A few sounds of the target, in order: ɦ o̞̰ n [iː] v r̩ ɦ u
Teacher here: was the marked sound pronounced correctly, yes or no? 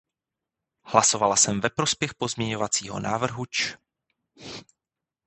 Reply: no